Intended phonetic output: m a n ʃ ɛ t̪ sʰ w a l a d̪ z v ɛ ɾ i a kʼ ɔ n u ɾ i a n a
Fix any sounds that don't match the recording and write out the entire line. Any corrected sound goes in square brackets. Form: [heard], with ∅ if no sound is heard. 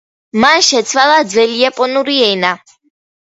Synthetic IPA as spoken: m a n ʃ ɛ t̪ sʰ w a l a d̪ z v ɛ [l] i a [pʼ] ɔ n u ɾ i [ɛ] n a